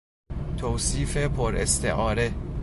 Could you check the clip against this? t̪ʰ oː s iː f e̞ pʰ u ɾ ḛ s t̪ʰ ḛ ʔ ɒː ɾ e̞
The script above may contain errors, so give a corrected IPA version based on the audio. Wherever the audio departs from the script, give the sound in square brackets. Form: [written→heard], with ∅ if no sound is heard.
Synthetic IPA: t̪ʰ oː s iː f e̞ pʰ [u→o] ɾ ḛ s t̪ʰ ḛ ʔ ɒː ɾ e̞